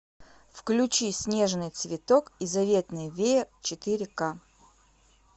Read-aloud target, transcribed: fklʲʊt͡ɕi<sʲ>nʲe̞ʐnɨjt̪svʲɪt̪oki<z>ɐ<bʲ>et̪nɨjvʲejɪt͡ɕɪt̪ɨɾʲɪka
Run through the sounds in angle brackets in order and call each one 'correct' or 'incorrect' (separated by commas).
correct, correct, incorrect